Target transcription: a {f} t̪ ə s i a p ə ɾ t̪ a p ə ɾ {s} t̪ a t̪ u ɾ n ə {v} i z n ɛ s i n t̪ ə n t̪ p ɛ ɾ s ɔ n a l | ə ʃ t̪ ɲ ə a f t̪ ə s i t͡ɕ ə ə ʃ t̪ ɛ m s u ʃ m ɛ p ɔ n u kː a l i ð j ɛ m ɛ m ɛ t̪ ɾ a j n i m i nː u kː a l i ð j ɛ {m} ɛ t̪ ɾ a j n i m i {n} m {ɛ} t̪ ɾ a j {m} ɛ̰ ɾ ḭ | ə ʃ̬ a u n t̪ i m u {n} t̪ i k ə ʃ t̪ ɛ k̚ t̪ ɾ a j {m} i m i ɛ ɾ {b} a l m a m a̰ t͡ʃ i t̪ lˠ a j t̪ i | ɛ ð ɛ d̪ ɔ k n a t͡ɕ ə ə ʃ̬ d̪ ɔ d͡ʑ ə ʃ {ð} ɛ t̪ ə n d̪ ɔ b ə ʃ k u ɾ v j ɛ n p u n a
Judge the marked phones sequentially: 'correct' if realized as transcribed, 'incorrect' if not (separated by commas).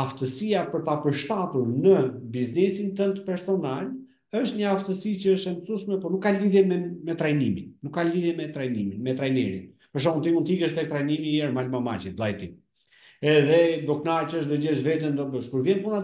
correct, incorrect, incorrect, correct, correct, correct, incorrect, correct, incorrect, incorrect, incorrect